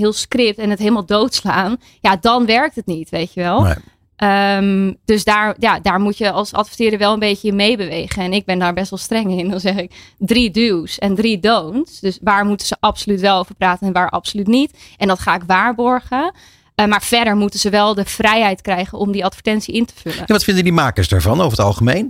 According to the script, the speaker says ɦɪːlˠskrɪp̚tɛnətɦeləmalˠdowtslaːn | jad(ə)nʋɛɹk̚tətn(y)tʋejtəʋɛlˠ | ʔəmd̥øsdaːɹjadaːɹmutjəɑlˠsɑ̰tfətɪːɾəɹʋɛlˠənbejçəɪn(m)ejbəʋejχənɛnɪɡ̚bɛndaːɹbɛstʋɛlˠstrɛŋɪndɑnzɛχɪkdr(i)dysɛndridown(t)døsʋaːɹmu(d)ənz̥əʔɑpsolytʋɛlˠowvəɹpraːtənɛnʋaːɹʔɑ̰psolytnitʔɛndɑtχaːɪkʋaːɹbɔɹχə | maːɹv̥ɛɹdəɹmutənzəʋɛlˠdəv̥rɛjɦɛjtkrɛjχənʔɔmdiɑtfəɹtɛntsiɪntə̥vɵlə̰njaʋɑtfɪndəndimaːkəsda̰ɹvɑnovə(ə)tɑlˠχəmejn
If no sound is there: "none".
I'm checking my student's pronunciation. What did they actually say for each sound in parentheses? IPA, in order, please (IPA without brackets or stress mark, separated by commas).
ɑ, i, m, i, s, t, ə